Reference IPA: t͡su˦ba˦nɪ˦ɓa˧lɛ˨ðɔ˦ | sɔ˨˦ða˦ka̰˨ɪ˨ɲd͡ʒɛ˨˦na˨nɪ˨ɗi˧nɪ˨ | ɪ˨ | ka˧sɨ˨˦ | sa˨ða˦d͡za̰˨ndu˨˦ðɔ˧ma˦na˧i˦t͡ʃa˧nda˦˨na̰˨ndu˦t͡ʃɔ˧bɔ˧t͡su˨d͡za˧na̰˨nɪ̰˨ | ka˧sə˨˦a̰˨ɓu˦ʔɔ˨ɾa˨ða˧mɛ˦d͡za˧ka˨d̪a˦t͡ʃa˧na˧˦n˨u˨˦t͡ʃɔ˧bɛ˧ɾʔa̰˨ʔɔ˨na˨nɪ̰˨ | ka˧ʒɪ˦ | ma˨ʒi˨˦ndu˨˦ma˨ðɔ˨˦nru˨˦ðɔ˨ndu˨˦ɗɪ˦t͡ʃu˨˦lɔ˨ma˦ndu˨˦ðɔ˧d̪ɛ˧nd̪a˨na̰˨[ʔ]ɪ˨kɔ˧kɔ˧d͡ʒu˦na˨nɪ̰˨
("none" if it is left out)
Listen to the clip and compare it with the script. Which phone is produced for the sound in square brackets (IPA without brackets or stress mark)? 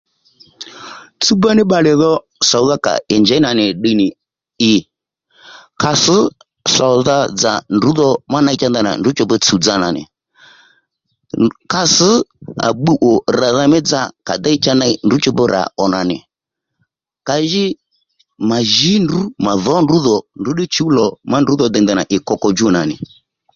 ʔ